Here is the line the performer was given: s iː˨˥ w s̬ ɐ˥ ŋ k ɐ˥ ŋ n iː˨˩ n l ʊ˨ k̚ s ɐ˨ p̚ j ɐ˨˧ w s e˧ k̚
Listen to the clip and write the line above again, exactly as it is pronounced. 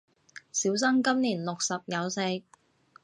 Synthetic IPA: s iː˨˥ w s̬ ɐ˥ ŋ k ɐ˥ m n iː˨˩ n l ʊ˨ k̚ s ɐ˨ p̚ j ɐ˨˧ w s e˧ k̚

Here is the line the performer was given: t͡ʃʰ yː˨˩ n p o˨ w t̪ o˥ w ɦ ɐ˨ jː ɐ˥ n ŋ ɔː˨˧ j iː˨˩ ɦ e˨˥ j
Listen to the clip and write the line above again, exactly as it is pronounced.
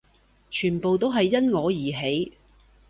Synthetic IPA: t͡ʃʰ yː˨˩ n p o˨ w t̪ o˥ w ɦ ɐ˨ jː ɐ˥ n ŋ ɔː˨˧ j iː˨˩ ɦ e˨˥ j

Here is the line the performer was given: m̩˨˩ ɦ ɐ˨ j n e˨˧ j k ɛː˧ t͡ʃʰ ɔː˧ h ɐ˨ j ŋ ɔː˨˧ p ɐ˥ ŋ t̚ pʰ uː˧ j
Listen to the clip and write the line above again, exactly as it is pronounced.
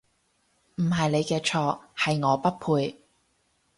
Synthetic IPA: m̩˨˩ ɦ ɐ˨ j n e˨˧ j k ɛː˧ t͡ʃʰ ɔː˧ h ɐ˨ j ŋ ɔː˨˧ p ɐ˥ t̚ pʰ uː˧ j

